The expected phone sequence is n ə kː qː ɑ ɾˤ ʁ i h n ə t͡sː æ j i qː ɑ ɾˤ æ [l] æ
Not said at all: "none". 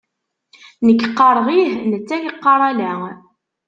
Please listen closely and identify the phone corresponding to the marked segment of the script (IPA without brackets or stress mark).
l